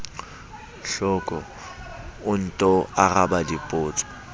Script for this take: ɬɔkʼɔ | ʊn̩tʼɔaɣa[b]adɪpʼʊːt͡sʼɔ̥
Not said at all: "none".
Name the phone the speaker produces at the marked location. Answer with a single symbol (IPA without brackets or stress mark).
b